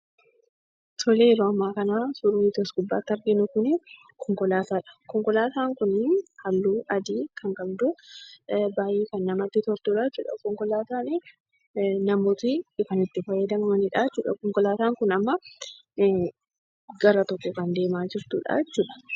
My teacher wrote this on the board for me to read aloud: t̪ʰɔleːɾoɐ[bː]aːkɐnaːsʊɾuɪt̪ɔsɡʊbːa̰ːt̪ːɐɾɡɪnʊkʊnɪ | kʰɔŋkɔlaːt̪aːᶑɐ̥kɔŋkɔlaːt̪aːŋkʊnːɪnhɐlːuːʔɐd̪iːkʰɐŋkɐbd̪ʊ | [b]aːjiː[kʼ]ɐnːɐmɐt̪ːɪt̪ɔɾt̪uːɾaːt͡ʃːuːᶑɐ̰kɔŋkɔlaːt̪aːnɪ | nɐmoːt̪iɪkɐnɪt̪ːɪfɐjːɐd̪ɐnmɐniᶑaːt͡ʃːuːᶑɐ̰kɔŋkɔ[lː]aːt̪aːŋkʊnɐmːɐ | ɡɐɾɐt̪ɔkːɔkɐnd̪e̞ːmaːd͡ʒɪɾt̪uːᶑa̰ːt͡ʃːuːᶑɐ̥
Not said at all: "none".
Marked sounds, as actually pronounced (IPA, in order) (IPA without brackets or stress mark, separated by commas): mː, b, k, l